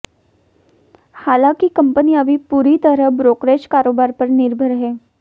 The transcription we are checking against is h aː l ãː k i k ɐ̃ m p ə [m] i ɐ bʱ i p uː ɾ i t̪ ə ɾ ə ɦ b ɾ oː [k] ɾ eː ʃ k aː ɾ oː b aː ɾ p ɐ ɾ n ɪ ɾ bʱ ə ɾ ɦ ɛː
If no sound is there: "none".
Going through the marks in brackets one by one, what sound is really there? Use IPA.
n, k

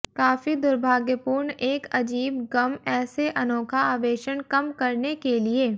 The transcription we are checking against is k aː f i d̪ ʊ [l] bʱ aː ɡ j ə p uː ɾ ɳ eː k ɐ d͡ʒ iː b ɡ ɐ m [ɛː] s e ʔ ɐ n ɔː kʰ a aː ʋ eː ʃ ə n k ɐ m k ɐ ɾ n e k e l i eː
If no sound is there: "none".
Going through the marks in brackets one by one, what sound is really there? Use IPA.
ɾ, ɛː

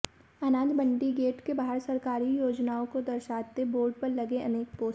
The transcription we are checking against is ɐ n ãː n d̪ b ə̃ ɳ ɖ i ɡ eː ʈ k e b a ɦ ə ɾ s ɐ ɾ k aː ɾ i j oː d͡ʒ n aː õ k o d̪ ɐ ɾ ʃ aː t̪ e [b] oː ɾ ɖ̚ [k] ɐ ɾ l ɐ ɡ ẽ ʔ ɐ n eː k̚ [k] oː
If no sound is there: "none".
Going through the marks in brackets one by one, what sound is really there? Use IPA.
b, p, p

